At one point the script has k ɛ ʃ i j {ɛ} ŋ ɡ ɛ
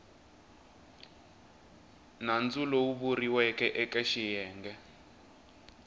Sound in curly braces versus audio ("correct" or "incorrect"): incorrect